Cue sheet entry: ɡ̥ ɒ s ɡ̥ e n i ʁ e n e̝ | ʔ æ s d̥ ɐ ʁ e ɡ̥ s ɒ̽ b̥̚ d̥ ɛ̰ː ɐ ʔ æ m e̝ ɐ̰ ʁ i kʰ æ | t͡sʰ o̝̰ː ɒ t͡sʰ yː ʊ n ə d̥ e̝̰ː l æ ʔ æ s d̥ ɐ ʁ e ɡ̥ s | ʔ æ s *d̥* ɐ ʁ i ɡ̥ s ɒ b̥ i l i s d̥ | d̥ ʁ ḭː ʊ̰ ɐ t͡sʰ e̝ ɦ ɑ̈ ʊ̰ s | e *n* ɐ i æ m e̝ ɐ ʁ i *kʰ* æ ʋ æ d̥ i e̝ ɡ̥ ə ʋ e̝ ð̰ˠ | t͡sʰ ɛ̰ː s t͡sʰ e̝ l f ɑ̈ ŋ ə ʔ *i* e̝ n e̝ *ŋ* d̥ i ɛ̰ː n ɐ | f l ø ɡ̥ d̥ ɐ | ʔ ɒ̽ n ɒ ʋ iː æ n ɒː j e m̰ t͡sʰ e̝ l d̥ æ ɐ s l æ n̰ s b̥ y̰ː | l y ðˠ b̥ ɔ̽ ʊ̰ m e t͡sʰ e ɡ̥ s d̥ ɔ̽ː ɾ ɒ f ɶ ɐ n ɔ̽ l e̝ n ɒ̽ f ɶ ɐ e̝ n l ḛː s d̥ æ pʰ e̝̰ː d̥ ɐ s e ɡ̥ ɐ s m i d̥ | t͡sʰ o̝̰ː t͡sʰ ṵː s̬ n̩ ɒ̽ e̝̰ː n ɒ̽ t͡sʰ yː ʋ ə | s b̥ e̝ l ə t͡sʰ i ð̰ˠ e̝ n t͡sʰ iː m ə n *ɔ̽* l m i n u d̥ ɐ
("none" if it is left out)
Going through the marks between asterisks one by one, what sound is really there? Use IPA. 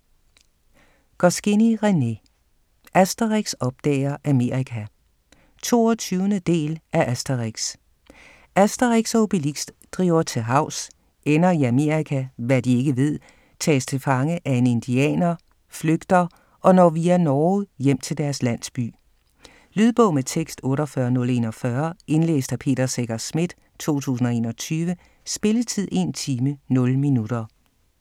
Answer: d̥, n, kʰ, æ, n, ɔ̽

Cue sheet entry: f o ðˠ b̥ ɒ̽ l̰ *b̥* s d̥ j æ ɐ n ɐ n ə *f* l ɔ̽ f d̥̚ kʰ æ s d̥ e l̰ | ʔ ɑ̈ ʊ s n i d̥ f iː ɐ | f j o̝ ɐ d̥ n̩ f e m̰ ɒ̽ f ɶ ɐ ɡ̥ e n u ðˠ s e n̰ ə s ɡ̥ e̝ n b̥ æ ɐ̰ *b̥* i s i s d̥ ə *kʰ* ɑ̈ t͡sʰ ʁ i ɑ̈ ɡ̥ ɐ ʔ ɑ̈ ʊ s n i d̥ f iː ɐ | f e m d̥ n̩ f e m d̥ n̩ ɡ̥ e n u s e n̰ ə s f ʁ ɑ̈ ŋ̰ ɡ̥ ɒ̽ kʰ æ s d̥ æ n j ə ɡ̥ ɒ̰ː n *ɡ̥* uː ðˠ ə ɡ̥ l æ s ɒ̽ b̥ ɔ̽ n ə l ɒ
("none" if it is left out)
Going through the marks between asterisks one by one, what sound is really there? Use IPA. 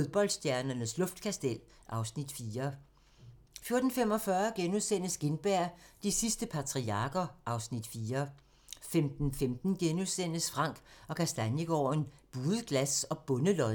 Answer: d̥, s, d̥, pʰ, b̥

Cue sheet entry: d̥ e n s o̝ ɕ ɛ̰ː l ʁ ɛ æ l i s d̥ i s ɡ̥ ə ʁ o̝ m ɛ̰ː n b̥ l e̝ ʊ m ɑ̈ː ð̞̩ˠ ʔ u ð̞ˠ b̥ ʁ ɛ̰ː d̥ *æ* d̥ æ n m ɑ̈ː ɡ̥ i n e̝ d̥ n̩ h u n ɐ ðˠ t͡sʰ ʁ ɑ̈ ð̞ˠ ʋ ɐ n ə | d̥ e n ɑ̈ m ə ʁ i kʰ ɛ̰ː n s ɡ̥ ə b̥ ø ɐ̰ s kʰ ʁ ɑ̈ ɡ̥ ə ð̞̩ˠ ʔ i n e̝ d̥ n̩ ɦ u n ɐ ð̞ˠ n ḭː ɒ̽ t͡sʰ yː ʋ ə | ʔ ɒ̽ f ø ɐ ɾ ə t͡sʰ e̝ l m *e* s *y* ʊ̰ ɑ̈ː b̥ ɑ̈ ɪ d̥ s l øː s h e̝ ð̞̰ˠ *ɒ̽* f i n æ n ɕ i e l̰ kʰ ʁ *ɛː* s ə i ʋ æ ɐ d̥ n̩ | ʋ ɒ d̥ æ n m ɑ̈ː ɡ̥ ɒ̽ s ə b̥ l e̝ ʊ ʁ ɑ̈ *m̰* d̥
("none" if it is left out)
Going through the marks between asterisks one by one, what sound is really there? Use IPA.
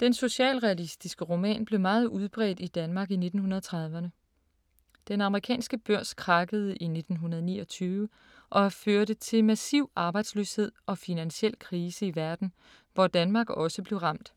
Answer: i, æ, i, ɒ̽, iː, m̰

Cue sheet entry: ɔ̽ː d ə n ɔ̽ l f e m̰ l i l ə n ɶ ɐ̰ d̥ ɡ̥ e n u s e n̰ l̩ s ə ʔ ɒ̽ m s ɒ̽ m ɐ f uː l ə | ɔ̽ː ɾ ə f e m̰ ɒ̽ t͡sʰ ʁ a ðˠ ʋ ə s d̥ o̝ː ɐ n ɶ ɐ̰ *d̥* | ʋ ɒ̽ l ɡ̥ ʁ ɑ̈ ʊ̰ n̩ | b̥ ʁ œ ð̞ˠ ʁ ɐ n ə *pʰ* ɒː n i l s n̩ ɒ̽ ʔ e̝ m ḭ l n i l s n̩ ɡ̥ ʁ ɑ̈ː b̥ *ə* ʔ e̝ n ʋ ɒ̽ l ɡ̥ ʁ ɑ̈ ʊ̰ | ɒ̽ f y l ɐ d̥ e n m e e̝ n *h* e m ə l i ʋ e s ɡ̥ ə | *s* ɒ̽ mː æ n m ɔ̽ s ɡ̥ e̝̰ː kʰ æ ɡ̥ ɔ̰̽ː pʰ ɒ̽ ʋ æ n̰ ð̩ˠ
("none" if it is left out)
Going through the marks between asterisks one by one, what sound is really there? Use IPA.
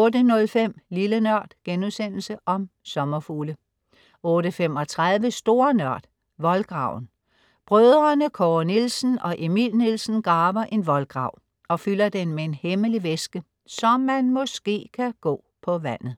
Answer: d̥, kʰ, ɐ, h, s

